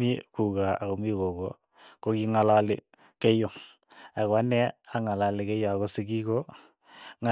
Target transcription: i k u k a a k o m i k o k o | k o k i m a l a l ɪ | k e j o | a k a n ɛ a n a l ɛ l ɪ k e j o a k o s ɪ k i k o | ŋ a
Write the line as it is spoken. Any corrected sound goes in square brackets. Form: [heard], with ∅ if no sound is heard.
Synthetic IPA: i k u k a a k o m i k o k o | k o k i [ŋ] a l a l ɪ | k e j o | a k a n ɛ a [ŋ] a l [a] l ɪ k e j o a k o s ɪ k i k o | ŋ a